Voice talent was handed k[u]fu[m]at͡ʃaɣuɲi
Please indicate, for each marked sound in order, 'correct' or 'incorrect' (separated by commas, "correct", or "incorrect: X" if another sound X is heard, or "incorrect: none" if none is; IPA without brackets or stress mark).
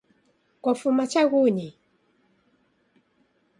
incorrect: ɔ, correct